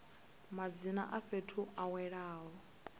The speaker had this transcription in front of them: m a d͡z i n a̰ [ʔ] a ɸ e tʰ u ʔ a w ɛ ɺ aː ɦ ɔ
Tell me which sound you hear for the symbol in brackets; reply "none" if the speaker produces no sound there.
ʔ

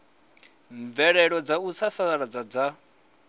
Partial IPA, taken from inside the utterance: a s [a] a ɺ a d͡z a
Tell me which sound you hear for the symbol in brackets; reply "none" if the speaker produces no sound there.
a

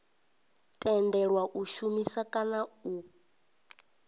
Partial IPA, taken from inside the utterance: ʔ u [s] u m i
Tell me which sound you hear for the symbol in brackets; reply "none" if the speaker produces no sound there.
ʃ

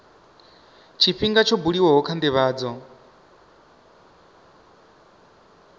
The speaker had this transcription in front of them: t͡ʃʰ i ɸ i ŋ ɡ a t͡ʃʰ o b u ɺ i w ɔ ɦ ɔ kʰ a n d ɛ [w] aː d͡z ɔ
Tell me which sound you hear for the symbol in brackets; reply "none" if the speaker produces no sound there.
β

